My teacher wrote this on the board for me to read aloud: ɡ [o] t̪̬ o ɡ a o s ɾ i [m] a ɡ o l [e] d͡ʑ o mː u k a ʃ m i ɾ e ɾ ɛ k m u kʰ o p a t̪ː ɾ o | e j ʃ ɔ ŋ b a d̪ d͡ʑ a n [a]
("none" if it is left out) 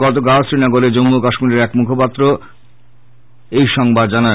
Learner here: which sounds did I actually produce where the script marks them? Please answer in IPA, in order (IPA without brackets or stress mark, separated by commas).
ɔ, n, e, a